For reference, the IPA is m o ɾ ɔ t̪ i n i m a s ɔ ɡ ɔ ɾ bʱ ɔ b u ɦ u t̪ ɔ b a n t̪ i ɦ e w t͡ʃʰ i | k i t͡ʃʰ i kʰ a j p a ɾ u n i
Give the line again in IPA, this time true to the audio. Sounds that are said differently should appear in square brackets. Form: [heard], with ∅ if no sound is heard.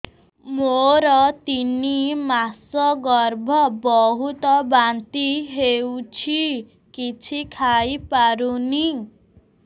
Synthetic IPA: m o ɾ ɔ t̪ i n i m a s ɔ ɡ ɔ ɾ bʱ ɔ b [ɔ] ɦ u t̪ ɔ b a n t̪ i ɦ e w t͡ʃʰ i | k i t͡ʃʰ i kʰ a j p a ɾ u n i